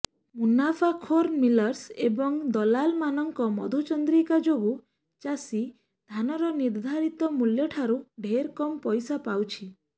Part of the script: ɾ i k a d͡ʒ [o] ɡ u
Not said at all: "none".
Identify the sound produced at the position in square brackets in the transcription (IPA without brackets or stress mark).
o